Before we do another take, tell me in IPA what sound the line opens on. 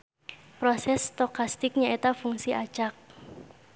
p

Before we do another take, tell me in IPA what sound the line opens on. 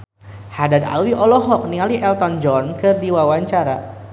h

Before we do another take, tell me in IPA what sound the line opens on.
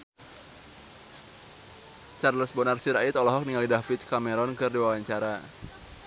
t͡ʃ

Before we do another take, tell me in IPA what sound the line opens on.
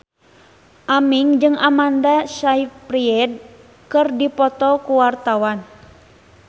ʔ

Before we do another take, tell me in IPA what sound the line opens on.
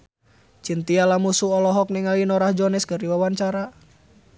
t͡ʃ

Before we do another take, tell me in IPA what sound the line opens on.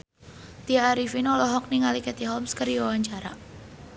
t̪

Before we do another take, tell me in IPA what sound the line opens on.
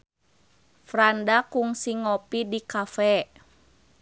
f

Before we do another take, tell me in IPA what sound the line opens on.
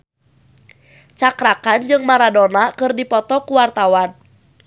t͡ʃ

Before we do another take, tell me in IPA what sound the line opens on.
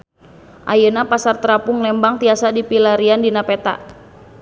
ʔ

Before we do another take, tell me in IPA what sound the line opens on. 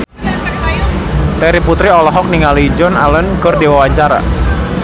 t̪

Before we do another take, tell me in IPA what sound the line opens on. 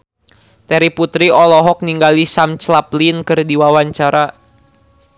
t̪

